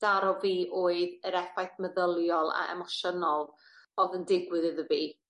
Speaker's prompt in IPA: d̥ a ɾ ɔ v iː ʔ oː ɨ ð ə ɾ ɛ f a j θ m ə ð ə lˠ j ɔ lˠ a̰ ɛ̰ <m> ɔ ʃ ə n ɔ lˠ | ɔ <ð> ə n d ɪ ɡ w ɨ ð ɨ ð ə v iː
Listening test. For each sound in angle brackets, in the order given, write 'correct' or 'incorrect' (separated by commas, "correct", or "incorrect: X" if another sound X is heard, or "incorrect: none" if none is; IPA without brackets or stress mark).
correct, correct